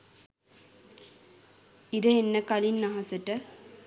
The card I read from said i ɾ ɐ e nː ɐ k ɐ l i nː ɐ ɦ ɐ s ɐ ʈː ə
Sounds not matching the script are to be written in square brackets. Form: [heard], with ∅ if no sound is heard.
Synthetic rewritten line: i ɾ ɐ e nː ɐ k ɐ l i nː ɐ ɦ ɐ s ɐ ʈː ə